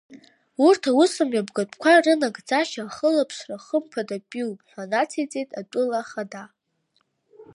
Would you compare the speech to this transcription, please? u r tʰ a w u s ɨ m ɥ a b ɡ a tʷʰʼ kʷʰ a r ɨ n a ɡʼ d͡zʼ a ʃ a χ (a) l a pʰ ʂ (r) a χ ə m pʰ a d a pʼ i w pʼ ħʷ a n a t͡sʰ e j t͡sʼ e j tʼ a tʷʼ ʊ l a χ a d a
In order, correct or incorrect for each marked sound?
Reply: incorrect, correct

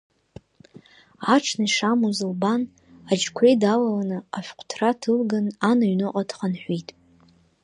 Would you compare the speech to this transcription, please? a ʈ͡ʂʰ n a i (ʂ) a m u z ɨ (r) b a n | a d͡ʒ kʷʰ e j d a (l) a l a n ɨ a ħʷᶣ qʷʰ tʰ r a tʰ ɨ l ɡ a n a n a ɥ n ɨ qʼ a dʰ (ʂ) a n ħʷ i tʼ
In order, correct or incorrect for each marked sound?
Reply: correct, incorrect, correct, incorrect

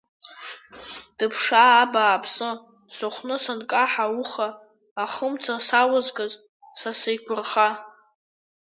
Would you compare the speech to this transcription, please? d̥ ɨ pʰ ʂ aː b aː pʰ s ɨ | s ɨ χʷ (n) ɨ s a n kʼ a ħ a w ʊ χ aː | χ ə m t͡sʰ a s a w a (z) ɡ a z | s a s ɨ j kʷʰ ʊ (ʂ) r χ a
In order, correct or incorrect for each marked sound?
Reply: correct, correct, incorrect

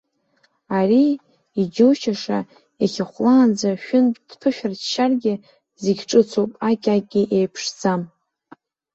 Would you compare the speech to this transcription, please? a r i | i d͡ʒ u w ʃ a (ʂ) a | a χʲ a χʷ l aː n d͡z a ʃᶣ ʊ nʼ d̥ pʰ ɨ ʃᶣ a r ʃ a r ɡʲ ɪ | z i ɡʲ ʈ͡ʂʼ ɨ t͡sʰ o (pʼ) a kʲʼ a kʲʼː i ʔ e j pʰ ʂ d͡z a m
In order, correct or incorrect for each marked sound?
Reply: correct, correct

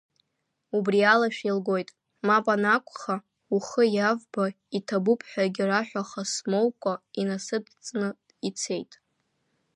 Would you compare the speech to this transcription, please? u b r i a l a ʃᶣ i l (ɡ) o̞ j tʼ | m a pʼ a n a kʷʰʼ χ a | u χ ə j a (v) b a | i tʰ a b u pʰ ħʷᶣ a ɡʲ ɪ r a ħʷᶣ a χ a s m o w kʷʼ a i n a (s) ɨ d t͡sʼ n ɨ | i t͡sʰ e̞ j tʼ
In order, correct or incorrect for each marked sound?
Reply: correct, correct, correct

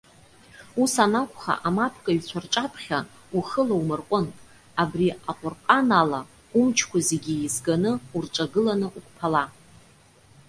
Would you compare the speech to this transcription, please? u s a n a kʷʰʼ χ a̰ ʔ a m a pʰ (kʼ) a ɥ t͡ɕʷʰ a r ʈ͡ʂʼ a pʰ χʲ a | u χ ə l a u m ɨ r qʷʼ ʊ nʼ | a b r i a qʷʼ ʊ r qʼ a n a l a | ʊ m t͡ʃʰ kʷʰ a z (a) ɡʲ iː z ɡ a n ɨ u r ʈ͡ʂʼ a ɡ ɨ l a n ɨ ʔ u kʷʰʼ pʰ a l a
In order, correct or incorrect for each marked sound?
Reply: correct, incorrect

